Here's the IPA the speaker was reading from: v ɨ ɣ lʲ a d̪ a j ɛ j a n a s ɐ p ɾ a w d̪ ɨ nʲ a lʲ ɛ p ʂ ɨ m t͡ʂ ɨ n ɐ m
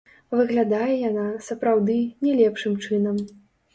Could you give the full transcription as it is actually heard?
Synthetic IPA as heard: v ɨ ɣ lʲ a d̪ a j ɛ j a n a s ɐ p ɾ a w d̪ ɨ nʲ ɛ lʲ ɛ p ʂ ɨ m t͡ʂ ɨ n ɐ m